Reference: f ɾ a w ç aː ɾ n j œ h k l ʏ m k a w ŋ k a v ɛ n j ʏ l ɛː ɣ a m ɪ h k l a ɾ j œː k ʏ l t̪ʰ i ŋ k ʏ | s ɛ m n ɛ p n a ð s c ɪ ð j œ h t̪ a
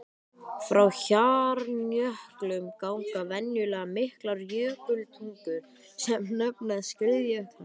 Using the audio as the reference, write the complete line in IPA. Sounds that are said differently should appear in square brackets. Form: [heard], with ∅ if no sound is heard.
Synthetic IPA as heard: f ɾ a w ç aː ɾ n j œ h k l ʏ m k a w ŋ k a v ɛ n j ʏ l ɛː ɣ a m ɪ h k l a ɾ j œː k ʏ l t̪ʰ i ŋ k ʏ | s ɛ m n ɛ p n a ð s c ɪ ð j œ h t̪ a